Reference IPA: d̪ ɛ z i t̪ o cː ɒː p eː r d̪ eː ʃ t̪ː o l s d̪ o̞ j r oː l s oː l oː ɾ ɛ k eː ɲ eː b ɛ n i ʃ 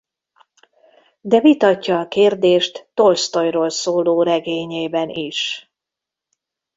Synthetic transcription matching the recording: d̪ ɛ v i t̪ ɒ cː ɒː k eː r d̪ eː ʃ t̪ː o l s t̪ o̞ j r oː l s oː l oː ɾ ɛ ɡ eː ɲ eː b ɛ n i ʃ